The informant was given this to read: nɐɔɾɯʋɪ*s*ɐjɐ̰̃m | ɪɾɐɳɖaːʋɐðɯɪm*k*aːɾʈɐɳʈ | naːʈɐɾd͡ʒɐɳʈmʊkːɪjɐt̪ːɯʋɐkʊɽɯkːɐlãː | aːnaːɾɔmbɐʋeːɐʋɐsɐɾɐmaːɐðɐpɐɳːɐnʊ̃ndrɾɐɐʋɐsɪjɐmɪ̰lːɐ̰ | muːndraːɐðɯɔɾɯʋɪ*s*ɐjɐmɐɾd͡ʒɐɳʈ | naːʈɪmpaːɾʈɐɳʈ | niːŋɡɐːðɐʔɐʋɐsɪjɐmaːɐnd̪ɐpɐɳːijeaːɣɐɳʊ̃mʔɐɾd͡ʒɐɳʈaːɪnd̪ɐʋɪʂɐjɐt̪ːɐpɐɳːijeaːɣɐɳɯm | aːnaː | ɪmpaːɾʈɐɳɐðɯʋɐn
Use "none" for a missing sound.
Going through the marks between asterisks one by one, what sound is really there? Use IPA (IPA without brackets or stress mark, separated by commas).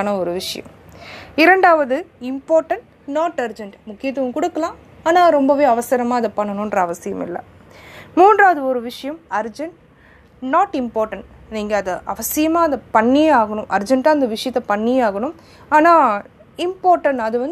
ʂ, p, ʂ